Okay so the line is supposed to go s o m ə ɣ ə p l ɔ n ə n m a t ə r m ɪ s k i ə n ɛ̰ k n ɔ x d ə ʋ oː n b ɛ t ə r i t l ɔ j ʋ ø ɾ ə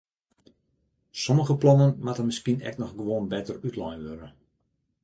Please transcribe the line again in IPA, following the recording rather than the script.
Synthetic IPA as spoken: s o m ə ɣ ə p l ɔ n ə n m a t ə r m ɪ s k i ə n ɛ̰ k n ɔ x ɡ ə ʋ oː n b ɛ t ə r y t l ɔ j ʋ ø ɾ ə